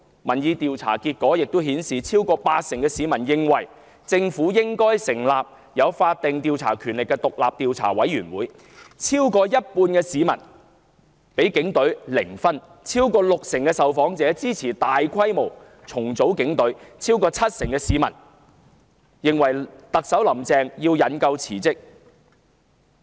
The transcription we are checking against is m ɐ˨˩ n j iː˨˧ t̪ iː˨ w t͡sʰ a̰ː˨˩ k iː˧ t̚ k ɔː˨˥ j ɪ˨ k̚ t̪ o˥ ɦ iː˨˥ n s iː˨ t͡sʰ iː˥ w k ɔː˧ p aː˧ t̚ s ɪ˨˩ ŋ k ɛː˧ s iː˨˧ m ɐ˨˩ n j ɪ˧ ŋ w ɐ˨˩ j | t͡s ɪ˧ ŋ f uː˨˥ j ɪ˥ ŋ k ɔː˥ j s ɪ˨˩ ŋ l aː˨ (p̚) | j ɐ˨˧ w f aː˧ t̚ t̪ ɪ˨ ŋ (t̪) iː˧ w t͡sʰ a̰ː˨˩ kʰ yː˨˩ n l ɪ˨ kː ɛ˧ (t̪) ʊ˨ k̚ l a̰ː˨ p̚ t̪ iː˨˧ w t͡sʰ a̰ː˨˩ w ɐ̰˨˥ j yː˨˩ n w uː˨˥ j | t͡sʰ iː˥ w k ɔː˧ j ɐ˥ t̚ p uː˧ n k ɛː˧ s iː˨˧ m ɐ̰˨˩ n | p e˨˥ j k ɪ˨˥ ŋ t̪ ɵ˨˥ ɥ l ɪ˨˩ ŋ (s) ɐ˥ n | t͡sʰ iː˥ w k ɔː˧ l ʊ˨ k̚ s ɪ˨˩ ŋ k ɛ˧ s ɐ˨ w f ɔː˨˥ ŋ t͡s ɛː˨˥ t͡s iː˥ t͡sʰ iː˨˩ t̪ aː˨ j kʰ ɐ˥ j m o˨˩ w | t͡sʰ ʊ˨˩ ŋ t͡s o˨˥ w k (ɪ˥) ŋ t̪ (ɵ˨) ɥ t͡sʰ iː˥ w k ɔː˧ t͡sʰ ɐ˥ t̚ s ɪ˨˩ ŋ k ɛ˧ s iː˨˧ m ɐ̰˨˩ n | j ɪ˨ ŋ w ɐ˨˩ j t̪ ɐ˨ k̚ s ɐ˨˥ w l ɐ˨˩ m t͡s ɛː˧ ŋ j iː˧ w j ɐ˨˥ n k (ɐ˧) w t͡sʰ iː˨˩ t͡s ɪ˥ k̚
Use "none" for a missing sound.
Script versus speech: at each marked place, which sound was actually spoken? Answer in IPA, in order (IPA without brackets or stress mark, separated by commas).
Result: p̚, t̪, t̪, f, ɪ˨˥, ɵ˨˥, ɐ˧